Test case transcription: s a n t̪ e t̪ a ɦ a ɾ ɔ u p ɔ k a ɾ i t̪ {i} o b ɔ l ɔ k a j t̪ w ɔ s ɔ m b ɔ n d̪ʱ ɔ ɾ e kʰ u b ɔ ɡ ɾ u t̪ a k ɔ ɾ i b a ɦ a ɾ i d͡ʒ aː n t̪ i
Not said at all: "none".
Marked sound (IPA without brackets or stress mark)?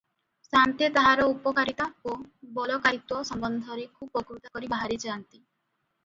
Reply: a